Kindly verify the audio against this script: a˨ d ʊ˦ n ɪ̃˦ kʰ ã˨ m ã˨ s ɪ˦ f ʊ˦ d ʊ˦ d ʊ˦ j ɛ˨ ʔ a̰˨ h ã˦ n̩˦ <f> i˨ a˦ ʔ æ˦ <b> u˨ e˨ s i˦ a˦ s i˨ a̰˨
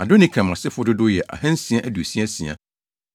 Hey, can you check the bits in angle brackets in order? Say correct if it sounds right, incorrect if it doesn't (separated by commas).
incorrect, incorrect